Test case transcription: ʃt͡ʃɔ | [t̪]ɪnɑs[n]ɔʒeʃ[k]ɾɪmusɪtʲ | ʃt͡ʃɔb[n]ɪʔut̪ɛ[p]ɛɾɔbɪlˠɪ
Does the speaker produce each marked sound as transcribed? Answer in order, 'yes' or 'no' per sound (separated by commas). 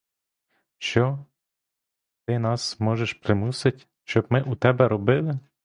yes, no, no, no, no